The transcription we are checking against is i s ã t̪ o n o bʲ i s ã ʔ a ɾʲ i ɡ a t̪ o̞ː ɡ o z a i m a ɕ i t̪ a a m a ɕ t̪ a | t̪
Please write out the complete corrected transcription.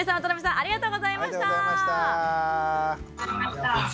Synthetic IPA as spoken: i s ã t̪ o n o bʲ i s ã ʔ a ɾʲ i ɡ a t̪ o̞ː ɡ o z a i m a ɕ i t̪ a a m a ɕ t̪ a | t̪